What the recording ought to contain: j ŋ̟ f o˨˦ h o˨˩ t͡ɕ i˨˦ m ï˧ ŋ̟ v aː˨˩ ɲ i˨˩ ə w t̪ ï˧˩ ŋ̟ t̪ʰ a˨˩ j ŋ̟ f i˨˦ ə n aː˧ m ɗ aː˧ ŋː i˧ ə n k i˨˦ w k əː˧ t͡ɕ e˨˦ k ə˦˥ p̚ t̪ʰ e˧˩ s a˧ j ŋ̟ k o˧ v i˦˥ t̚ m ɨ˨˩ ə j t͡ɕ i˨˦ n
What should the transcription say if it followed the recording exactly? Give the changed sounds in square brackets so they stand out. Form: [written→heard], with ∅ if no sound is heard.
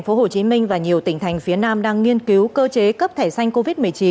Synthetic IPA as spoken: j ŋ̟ f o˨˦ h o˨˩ t͡ɕ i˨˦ m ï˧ ŋ̟ v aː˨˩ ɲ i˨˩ ə w t̪ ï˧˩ ŋ̟ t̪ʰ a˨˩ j ŋ̟ f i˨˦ ə n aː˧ m ɗ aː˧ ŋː i˧ ə n k i˨˦ w k əː˧ t͡ɕ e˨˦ k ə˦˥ p̚ t̪ʰ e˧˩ s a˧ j ŋ̟ k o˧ v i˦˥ t̚ m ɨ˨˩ ə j t͡ɕ i˨˦ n